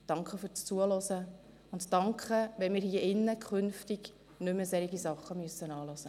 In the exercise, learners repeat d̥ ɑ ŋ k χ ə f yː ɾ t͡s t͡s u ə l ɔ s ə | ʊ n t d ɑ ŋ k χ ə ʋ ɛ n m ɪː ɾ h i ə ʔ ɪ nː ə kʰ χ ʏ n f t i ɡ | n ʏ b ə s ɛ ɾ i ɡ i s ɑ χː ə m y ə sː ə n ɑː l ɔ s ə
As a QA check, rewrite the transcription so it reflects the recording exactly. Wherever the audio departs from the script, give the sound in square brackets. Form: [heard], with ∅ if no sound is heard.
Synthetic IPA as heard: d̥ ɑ ŋ k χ ə f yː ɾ t͡s t͡s u ə l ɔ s ə | ʊ n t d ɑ ŋ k χ ə ʋ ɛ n m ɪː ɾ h i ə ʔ ɪ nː ə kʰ χ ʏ n f t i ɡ | n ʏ [m] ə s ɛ ɾ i ɡ i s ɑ χː ə m y ə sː ə n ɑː l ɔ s ə

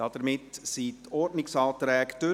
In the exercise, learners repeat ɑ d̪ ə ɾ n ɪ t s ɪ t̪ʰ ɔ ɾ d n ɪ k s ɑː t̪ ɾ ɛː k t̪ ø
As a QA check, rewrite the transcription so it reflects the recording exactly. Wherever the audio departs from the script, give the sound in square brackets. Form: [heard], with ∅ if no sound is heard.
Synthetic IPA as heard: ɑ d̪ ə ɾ [m] ɪ t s [i] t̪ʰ ɔ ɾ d n ɪ k s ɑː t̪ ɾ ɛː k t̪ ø

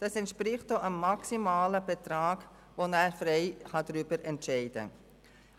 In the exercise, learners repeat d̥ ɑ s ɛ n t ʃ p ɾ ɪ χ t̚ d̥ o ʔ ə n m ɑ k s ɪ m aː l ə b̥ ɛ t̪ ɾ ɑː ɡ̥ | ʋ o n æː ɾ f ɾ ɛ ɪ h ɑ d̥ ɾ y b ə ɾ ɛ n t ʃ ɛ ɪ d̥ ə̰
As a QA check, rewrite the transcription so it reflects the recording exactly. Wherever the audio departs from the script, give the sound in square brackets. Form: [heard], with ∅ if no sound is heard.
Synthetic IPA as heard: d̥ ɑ s ɛ n t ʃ p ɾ ɪ χ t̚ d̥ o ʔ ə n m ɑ k s [i] m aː l ə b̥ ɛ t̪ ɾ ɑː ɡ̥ | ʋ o n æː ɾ f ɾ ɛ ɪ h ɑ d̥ ɾ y b ə ɾ ɛ n t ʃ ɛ ɪ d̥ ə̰

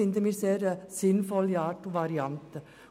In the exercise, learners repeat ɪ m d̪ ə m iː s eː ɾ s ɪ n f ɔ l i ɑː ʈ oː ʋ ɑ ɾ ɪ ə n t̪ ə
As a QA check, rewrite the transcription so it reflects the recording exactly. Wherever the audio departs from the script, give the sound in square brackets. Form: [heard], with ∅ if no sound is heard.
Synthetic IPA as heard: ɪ [n] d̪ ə m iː s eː ɾ s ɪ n f ɔ l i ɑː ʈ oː ʋ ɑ ɾ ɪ [ɑ] n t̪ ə

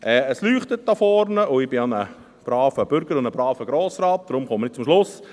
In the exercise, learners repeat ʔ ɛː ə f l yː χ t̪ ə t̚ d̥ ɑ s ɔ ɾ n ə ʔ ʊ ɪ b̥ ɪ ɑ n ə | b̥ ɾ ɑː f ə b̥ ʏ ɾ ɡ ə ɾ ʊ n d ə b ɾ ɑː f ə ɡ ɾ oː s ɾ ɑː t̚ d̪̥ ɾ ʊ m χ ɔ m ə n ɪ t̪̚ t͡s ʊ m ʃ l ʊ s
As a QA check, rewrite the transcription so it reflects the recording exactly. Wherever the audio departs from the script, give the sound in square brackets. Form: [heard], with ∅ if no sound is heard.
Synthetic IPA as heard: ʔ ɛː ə [s] l yː χ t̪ ə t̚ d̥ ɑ [f] ɔ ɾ n ə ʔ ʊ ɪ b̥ ɪ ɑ n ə | b̥ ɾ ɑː f ə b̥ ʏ ɾ ɡ ə ɾ ʊ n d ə b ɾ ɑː f ə ɡ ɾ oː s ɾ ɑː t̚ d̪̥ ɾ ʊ m χ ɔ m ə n ɪ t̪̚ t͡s ʊ m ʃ l ʊ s

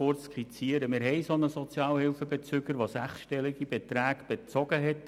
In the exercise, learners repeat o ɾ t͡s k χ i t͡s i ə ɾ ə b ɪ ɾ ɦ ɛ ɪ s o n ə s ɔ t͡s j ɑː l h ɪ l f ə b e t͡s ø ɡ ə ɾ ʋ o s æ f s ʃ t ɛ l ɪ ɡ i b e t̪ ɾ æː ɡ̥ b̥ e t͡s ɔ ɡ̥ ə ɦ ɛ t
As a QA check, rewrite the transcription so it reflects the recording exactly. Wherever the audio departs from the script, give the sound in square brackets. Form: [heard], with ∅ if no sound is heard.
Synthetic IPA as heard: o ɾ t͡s k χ i t͡s i ə ɾ ə [m] ɪ ɾ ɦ ɛ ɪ s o n ə s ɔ t͡s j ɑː l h ɪ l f ə b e t͡s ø ɡ ə ɾ ʋ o s æ [χ] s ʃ t ɛ l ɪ ɡ i b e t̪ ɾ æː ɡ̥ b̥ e t͡s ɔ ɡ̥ ə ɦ ɛ t

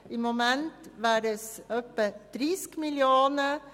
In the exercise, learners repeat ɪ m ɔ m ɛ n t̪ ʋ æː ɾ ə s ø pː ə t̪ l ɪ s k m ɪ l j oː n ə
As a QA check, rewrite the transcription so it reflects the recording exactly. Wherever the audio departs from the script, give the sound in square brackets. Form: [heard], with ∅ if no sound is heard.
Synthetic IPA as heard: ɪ m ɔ m ɛ n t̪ ʋ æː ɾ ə s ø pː ə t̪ [ɾ] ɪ s k m ɪ l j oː n ə

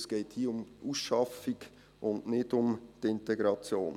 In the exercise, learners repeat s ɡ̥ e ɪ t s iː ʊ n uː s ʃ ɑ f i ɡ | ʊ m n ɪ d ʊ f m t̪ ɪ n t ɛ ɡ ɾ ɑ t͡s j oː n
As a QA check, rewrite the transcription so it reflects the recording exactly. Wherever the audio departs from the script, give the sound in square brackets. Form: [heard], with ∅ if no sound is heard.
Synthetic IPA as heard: s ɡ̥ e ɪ t [h] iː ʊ [m] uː s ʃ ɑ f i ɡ | ʊ [n] n ɪ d ʊ [∅] m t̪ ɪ n t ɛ ɡ ɾ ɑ t͡s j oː n

